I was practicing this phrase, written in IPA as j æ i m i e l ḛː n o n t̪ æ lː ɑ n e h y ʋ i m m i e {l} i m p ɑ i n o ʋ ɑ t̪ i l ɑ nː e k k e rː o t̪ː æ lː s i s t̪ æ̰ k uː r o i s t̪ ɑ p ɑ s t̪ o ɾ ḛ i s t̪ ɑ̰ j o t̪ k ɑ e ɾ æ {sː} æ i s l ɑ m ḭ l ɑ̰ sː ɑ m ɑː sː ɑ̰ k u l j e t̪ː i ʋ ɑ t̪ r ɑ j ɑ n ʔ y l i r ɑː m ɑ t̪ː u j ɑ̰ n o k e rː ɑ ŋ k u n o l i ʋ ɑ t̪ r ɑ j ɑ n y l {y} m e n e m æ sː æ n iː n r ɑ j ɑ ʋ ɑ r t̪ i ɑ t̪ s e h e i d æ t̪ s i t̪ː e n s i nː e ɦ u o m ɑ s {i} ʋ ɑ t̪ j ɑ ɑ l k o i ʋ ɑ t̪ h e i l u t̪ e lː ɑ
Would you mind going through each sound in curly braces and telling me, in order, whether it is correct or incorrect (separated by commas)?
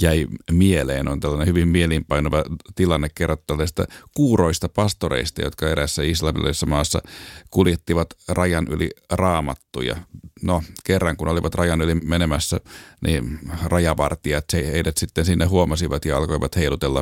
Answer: correct, correct, incorrect, correct